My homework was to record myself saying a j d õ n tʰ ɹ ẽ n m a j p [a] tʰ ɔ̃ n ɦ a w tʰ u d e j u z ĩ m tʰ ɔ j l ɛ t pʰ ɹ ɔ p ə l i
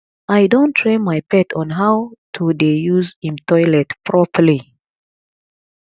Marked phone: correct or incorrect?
incorrect